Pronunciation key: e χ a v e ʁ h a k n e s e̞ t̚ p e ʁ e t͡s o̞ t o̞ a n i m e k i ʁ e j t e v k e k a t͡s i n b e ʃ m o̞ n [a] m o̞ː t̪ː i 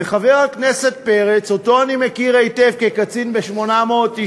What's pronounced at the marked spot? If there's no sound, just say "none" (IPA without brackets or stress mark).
a